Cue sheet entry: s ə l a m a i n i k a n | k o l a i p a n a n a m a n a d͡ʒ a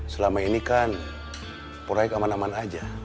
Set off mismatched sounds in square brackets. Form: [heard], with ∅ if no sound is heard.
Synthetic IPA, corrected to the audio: s ə l a m a i n i k a n | [p] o [ɾ] a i [k] a [m] a n a m a n a d͡ʒ a